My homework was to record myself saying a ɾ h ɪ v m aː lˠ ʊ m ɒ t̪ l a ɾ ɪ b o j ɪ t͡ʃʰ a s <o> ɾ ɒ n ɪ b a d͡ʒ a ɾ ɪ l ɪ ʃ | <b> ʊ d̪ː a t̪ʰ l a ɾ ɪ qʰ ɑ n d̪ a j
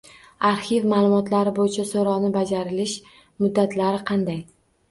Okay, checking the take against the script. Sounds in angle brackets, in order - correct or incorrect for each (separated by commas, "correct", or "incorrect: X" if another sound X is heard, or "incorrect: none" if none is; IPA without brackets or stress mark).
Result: correct, incorrect: m